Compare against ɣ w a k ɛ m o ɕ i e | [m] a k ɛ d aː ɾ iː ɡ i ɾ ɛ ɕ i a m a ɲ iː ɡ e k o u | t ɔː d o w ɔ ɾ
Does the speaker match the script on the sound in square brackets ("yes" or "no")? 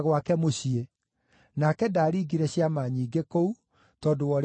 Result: no